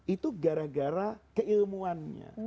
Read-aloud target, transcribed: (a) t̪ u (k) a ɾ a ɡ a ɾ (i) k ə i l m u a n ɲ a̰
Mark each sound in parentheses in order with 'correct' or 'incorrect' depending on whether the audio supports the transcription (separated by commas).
incorrect, incorrect, incorrect